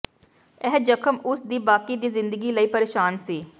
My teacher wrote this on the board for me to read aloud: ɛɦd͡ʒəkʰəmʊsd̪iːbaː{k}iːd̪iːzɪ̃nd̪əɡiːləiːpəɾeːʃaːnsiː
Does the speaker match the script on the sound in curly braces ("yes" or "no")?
yes